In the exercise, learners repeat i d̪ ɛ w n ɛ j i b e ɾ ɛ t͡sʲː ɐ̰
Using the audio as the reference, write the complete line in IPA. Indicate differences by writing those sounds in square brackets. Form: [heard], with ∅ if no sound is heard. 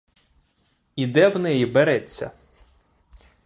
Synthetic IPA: i d̪ ɛ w n ɛ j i b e ɾ ɛ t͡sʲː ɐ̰